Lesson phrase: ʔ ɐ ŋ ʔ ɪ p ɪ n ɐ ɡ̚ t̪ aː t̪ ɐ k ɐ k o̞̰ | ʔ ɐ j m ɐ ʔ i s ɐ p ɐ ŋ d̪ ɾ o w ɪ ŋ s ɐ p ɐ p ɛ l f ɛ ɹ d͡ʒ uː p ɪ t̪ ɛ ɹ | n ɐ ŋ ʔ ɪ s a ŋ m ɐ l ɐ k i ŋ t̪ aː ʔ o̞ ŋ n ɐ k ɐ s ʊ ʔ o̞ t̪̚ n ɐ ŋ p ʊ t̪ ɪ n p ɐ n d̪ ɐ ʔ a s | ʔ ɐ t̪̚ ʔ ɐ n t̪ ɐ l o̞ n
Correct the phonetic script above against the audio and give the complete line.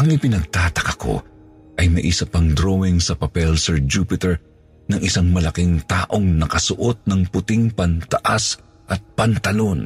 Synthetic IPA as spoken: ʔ ɐ ŋ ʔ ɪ p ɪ n ɐ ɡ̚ t̪ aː t̪ ɐ k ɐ k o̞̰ | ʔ ɐ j m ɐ ʔ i s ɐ p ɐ ŋ d̪ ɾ o w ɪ ŋ s ɐ p ɐ p ɛ l s ɛ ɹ d͡ʒ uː p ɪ t̪ ɛ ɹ | n ɐ ŋ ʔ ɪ s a ŋ m ɐ l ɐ k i ŋ t̪ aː ʔ o̞ ŋ n ɐ k ɐ s ʊ ʔ o̞ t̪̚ n ɐ ŋ p ʊ t̪ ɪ ŋ p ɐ n t̪ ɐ ʔ a s | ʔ ɐ t̪̚ p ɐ n t̪ ɐ l o̞ n